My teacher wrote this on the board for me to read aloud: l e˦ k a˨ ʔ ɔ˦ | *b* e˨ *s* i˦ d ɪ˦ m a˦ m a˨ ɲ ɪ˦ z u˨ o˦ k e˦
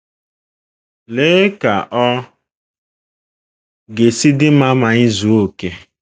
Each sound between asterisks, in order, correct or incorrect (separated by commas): incorrect, correct